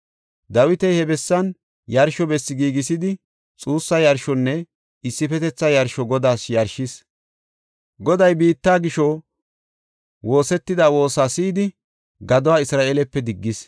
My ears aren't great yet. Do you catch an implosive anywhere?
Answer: no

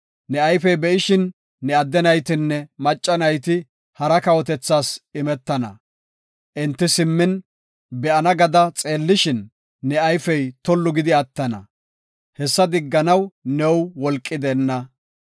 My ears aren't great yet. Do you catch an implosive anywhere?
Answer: no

